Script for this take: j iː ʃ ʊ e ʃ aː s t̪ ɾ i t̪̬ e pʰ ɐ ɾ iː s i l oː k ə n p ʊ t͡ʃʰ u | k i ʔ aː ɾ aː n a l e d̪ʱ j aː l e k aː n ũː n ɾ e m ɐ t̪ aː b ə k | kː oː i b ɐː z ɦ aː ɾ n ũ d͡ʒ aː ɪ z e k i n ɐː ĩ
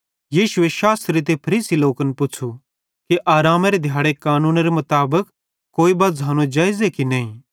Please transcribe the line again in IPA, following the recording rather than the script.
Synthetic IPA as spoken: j iː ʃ ʊ e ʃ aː s t̪ ɾ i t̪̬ e pʰ ɐ ɾ iː s i l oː k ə n p ʊ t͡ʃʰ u | k i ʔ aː ɾ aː m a ɾ e d̪ʱ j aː ɽ e k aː n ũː n ɾ e m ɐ t̪ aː b ə k | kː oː i b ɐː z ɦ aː n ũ d͡ʒ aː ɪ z e k i n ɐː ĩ